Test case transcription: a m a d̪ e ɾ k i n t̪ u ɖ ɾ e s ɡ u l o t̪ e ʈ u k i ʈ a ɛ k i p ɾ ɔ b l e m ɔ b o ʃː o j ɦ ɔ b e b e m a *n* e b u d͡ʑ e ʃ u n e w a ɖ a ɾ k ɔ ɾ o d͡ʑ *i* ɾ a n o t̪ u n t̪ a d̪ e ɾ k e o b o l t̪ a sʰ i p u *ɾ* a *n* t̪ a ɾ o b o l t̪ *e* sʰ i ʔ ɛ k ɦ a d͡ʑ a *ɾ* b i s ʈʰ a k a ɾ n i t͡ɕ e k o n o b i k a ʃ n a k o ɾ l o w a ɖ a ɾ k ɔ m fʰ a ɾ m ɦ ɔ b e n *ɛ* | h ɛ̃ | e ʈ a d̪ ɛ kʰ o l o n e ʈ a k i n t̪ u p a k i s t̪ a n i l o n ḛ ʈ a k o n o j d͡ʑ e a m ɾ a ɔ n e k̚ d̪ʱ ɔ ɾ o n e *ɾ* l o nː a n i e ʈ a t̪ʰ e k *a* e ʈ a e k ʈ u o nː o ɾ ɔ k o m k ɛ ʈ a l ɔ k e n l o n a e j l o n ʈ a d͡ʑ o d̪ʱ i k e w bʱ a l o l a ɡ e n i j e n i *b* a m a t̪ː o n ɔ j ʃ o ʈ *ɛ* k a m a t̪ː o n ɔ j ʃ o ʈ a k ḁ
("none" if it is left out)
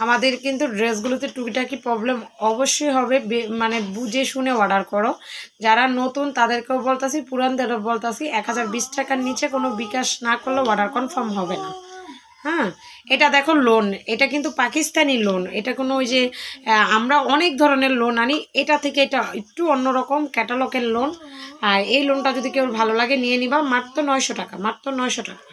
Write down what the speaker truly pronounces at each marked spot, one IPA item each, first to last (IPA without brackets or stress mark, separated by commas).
n, a, ɾ, n, a, ɾ, a, ɾ, e, b, a